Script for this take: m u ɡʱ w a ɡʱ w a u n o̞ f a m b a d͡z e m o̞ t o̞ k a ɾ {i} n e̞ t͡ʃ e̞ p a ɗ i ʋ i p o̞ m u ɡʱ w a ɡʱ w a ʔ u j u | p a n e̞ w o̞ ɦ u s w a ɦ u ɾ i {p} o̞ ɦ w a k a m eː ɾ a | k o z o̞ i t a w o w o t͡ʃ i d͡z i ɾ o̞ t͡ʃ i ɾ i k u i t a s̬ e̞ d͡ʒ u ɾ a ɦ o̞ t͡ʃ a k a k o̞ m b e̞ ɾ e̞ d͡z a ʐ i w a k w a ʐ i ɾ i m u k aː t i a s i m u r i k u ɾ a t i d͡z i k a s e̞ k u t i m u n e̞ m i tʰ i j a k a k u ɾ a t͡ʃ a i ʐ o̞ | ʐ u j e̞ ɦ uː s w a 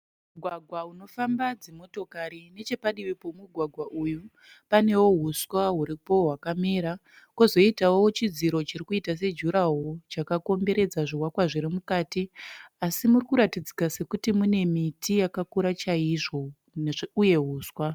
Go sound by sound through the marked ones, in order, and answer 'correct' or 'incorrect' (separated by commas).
correct, correct